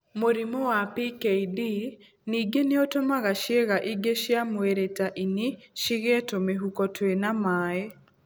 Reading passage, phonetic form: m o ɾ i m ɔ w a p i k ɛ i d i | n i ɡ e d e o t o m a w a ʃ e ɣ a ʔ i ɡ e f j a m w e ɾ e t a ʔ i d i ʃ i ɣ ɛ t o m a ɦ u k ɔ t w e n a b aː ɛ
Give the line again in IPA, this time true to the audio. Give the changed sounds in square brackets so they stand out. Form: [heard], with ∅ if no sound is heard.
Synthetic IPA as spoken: m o ɾ i m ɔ w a p i k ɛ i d i | n i ɡ e [n] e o t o m a [ɣ] a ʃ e ɣ a ʔ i ɡ e [ʃ] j a m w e ɾ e t a ʔ i [n] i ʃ i ɣ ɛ t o m [e] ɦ u k ɔ t w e n a [m] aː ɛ